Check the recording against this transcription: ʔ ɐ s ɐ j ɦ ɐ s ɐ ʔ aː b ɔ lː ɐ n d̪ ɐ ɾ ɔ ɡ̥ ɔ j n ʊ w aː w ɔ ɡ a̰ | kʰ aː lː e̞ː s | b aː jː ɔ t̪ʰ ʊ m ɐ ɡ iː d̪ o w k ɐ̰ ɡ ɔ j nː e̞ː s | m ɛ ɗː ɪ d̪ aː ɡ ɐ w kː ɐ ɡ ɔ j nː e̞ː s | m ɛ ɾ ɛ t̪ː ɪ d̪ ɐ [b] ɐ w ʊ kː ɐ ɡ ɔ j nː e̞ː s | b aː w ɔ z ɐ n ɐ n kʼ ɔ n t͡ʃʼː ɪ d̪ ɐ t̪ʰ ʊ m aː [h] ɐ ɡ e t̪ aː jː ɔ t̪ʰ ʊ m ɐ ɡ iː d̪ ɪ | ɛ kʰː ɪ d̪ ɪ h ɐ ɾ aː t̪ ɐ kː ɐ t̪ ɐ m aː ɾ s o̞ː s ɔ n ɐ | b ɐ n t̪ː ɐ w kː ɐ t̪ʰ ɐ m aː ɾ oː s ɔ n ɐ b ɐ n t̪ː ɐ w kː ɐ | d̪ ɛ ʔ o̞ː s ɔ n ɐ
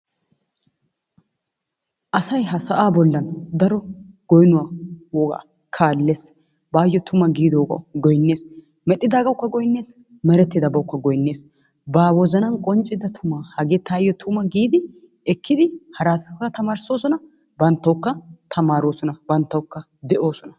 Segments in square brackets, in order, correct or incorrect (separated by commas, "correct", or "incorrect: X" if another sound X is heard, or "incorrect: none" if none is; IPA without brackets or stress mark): correct, correct